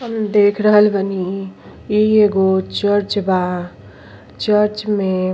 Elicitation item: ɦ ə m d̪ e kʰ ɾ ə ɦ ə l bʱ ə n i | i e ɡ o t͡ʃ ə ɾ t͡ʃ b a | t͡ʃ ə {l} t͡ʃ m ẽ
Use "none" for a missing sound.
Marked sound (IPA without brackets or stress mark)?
ɾ